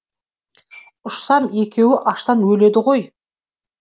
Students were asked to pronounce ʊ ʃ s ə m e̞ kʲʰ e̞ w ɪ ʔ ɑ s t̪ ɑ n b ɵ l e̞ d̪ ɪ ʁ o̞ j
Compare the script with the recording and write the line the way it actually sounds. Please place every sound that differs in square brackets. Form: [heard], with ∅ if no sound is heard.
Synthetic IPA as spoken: ʊ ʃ s [ɑ] m e̞ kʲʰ e̞ w ɪ ʔ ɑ [ʃ] t̪ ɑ n [w] ɵ l e̞ d̪ ɪ ʁ o̞ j